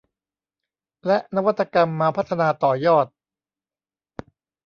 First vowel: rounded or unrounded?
unrounded